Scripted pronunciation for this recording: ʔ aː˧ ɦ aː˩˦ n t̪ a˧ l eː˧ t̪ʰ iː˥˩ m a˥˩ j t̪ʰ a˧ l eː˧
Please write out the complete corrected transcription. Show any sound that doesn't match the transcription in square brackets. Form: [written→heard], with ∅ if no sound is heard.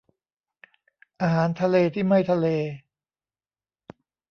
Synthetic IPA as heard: ʔ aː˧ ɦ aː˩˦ n [t̪→t̪ʰ] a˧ l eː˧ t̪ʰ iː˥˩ m a˥˩ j t̪ʰ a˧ l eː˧